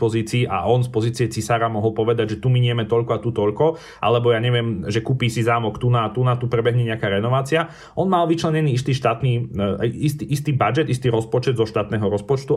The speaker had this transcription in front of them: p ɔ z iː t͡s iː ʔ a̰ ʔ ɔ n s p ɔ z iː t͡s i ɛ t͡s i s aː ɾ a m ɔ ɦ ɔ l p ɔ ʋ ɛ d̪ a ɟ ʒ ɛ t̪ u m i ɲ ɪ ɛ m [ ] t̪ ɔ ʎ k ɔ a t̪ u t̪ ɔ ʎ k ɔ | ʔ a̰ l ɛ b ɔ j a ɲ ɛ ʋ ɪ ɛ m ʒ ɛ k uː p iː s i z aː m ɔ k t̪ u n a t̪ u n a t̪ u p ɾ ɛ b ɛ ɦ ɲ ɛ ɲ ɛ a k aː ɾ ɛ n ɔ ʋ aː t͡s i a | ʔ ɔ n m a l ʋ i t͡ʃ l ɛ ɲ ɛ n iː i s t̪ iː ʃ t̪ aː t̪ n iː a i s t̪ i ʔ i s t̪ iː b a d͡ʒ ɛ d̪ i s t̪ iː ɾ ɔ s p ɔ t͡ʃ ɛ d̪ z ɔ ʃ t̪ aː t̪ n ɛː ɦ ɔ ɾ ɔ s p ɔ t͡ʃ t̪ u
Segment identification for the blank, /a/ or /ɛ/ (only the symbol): ɛ